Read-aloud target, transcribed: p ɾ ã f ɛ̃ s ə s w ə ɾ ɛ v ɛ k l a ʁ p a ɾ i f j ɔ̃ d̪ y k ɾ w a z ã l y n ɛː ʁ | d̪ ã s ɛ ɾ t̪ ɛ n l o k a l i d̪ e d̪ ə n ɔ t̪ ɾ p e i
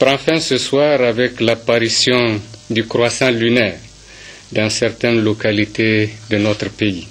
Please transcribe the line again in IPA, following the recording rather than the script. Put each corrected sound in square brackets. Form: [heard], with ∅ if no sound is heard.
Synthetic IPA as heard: p ɾ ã f ɛ̃ s ə s w [a] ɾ [a] v ɛ k l a [∅] p a ɾ i [s] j ɔ̃ d̪ y k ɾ w a [s] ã l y n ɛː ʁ | d̪ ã s ɛ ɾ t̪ ɛ n l o k a l i [t̪] e d̪ ə n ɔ t̪ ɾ p e i